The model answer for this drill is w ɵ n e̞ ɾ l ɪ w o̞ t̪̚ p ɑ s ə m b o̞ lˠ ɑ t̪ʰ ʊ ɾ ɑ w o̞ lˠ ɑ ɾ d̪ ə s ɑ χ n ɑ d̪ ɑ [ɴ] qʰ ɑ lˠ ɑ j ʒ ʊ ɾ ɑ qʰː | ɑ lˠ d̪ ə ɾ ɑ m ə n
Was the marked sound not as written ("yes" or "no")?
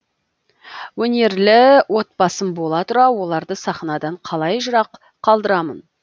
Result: no